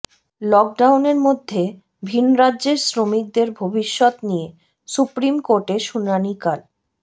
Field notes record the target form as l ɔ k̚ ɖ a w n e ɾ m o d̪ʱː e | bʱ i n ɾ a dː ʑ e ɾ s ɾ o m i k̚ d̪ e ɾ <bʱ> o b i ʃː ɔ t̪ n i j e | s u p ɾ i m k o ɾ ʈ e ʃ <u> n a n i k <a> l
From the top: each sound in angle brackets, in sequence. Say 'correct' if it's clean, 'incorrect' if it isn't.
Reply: correct, correct, correct

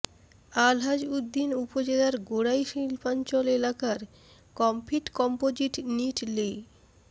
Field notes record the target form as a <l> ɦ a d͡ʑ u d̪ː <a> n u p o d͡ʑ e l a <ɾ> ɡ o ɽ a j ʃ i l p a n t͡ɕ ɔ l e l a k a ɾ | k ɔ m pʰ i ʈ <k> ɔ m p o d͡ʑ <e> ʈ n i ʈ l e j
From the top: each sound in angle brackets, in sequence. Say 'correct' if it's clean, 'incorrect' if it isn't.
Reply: correct, incorrect: i, correct, correct, incorrect: i

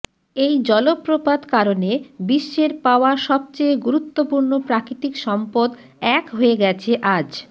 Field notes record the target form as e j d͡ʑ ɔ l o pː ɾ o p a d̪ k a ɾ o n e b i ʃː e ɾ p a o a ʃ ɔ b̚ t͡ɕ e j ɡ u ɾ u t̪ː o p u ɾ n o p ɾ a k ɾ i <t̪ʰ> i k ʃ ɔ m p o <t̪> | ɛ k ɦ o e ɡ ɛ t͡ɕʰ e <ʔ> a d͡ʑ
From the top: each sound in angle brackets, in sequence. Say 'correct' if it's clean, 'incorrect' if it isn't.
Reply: incorrect: t̪, incorrect: d̪, correct

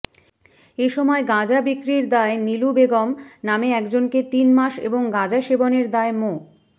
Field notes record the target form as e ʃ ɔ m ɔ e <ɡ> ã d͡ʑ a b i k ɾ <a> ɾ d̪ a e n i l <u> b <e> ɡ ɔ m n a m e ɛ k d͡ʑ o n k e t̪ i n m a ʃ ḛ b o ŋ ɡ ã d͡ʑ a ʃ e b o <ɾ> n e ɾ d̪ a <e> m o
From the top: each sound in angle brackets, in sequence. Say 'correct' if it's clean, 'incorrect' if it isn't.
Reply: correct, incorrect: i, correct, correct, incorrect: none, correct

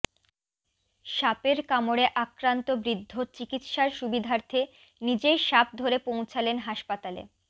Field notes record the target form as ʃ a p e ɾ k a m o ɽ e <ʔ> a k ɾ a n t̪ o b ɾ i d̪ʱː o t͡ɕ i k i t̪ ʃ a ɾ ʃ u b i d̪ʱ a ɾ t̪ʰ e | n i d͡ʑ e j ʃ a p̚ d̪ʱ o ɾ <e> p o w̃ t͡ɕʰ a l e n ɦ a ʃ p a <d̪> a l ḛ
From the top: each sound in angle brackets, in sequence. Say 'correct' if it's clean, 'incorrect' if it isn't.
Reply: correct, correct, incorrect: t̪

